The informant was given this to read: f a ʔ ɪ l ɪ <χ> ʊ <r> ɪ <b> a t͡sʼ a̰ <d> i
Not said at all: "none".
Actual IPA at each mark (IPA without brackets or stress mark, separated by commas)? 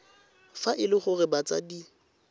χ, r, b, d